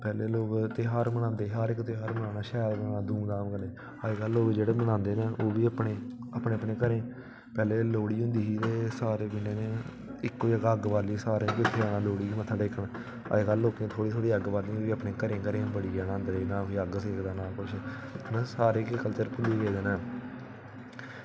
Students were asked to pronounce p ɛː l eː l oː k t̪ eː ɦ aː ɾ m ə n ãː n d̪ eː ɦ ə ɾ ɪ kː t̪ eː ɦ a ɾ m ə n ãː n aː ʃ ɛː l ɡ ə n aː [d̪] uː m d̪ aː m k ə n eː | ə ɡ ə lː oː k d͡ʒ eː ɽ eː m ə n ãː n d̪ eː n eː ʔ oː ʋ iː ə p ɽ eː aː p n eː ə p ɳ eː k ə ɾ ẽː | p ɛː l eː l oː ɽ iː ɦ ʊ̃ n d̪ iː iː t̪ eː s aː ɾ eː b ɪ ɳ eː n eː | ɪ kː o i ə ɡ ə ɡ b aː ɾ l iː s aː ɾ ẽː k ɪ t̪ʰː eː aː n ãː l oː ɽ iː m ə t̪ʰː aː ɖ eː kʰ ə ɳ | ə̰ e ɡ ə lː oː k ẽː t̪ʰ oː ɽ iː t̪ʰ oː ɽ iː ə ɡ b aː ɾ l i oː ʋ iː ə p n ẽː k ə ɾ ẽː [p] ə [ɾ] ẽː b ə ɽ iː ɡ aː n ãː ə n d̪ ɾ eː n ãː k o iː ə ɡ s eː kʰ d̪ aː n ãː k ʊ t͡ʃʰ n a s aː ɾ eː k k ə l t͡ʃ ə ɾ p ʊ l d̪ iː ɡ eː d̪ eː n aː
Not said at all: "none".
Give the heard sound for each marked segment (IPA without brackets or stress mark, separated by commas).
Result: d̪, k, ɾ